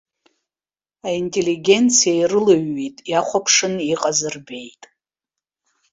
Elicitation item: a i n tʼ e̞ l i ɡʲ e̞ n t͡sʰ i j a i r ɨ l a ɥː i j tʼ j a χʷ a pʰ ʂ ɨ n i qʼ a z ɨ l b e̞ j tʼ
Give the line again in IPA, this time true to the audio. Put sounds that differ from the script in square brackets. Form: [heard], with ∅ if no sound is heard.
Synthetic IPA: a i n tʼ e̞ l i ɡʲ e̞ n t͡sʰ i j a i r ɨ l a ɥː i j tʼ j a χʷ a pʰ ʂ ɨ n i qʼ a z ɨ [r] b e̞ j tʼ

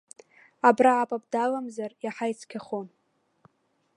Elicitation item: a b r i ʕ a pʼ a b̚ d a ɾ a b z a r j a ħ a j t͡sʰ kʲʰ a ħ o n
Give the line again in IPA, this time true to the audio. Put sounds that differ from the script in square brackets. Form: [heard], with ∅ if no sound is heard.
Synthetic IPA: a b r [a] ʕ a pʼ a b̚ d a [l] a [m] z a r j a ħ a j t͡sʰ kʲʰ a [χ] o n

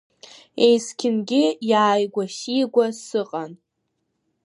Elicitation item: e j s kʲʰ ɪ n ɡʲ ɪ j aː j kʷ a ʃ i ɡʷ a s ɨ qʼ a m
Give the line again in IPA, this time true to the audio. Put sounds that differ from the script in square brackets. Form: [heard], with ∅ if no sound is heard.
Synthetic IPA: e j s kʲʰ ɪ n ɡʲ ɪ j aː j [ɡʷ] a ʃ i ɡʷ a s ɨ qʼ a [n]

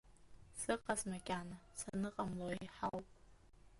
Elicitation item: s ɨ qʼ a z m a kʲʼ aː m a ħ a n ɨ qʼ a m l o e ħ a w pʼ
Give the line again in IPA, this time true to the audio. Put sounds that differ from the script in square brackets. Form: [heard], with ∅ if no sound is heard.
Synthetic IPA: s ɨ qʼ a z m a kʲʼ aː [n] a [s] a n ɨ qʼ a m l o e ħ a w pʼ

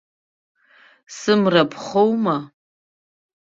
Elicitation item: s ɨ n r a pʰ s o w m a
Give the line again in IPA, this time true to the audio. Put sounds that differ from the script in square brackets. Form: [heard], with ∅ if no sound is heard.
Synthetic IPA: s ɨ [m] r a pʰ [χ] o w m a

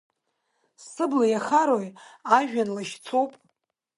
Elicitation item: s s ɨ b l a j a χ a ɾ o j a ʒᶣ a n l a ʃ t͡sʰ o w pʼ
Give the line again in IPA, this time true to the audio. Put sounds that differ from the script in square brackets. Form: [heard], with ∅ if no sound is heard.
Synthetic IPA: s s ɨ b l a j a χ a ɾ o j a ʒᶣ a n l a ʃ t͡sʰ o w pʼ

